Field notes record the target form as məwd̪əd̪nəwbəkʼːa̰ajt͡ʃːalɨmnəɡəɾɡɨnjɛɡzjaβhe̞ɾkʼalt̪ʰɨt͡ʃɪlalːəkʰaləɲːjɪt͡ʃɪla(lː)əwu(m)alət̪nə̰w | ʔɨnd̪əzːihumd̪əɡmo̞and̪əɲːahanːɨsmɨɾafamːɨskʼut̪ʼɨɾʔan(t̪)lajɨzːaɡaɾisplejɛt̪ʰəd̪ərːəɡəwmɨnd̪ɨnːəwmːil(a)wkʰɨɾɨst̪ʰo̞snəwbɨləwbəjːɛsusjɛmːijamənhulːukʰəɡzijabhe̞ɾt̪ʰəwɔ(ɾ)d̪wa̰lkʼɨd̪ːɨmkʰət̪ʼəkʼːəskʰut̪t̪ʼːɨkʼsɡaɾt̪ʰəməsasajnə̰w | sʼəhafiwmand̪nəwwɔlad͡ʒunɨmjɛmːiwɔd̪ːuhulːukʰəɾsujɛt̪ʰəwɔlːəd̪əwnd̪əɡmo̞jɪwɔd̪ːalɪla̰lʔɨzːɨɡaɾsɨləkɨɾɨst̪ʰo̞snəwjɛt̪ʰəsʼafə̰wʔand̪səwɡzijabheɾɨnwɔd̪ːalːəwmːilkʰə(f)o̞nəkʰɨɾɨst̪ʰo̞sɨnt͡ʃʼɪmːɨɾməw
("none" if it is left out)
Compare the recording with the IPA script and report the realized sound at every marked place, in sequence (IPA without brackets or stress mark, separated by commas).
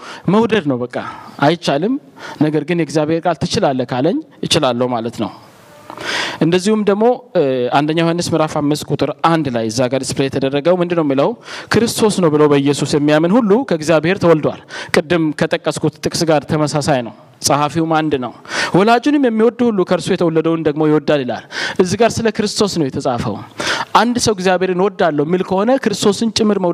lː, m, d̪, ə, l, h